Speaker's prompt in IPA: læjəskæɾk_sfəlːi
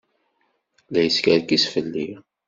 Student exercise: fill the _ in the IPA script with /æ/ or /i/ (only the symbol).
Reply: i